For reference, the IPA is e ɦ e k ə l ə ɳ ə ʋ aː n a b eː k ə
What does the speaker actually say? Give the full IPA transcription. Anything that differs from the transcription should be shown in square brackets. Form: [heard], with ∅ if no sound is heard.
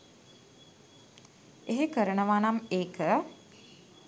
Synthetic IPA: e ɦ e k ə [ɾ] ə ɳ ə ʋ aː n a [m] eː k ə